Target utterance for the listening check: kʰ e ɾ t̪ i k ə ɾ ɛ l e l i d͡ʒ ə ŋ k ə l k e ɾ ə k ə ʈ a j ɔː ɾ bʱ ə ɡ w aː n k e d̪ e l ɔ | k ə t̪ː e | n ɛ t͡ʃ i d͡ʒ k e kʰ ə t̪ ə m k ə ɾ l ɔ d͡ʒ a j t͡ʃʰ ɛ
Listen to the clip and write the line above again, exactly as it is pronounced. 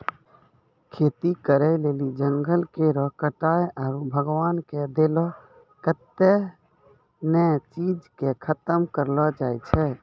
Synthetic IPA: kʰ e t̪ i k ə ɾ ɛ l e l i d͡ʒ ə ŋ ɡ ə l k e ɾ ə k ə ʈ a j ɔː ɾ bʱ ə ɡ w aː n k e d̪ e l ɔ | k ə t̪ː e | n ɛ t͡ʃ i d͡ʒ k e kʰ ə t̪ ə m k ə ɾ l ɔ d͡ʒ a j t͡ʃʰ ɛ

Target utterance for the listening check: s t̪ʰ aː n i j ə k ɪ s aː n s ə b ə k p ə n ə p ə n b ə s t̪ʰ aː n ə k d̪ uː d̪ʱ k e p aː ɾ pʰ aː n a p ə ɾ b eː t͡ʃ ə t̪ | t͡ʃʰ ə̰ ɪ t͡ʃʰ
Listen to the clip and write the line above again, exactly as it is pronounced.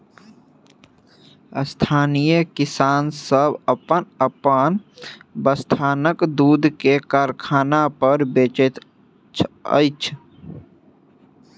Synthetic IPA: s t̪ʰ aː n i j ə k ɪ s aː n s ə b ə p ə n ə p ə n b ə s t̪ʰ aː n ə k d̪ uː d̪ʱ k e k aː ɾ kʰ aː n a p ə ɾ b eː t͡ʃ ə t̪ | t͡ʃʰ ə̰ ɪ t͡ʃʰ

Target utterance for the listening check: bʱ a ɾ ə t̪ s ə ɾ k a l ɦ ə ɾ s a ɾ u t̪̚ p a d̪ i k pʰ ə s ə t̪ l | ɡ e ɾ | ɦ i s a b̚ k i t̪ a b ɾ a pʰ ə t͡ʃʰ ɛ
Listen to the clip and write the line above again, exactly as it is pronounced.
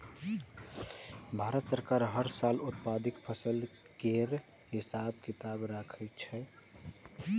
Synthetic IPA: bʱ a ɾ ə t̪ s ə ɾ k a ɾ ɦ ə ɾ s a l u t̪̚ p a d̪ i k pʰ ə s ə l | k e ɾ | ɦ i s a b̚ k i t̪ a b ɾ a kʰ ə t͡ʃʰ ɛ

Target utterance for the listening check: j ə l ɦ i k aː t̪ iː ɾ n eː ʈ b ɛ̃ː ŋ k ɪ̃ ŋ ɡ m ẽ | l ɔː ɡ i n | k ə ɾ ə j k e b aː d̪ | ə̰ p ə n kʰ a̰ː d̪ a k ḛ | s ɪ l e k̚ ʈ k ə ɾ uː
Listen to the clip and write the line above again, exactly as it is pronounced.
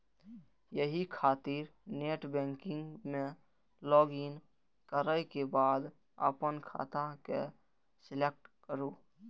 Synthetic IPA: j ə ɦ i kʰ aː t̪ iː ɾ n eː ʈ b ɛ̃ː ŋ k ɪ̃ ŋ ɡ m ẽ | l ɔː ɡ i n | k ə ɾ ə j k e b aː d̪ | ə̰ p ə n kʰ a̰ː t̪ a k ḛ | s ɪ l e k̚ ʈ k ə ɾ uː

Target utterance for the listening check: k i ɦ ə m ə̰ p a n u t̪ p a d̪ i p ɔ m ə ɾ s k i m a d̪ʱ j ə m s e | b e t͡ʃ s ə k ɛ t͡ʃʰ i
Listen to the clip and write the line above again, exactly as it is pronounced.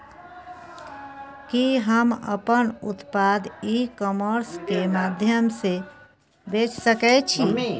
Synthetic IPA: k i ɦ ə m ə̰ p ə n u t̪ p a d̪ i k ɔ m ə ɾ s k e m a d̪ʱ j ə m s e | b e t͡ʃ s ə k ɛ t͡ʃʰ i

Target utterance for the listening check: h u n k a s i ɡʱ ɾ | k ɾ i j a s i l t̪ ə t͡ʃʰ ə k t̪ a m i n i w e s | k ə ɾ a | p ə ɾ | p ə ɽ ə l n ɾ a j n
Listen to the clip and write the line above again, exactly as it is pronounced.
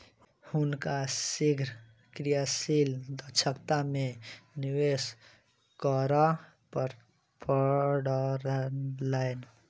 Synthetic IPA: h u n k a s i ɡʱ ɾ | k ɾ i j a s i l d̪ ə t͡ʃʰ ə k t̪ a m e n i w e s | k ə ɾ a | p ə ɾ | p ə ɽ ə ɾ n l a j n

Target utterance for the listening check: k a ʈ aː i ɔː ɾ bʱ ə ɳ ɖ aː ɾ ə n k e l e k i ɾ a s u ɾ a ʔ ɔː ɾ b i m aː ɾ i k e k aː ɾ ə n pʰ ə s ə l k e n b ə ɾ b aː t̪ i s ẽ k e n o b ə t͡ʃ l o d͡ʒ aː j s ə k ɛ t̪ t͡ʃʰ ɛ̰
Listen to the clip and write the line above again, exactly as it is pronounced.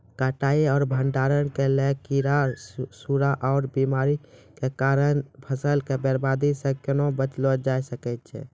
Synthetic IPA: k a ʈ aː i ɔː ɾ bʱ ə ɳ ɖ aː ɾ ə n k e l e k i ɾ a s u ɾ a ʔ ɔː ɾ b i m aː ɾ i k e k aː ɾ ə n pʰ ə s ə l k e b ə ɾ b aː d̪ i s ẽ k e n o b ə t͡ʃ l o d͡ʒ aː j s ə k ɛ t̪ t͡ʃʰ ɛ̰

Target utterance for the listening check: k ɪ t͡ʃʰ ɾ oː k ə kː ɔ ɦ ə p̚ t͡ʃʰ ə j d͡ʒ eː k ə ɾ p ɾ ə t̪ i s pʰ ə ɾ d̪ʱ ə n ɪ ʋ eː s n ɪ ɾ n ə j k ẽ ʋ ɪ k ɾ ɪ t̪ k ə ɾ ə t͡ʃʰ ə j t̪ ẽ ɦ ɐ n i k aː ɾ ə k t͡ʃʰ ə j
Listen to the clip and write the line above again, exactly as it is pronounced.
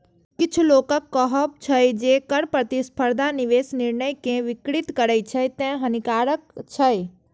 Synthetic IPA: k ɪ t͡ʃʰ l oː k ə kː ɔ ɦ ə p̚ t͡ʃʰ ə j d͡ʒ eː k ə ɾ p ɾ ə t̪ i s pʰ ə ɾ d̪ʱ a n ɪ ʋ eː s n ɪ ɾ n ə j k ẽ ʋ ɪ k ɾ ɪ t̪ k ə ɾ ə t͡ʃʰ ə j t̪ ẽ ɦ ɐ n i k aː ɾ ə k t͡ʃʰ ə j

